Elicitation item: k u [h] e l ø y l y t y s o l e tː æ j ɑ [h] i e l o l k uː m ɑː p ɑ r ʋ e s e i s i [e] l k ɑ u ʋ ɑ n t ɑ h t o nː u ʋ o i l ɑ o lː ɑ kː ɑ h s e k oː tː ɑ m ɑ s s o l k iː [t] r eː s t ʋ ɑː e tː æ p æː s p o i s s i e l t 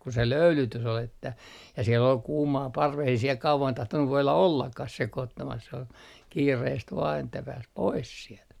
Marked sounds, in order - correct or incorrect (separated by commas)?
incorrect, incorrect, correct, incorrect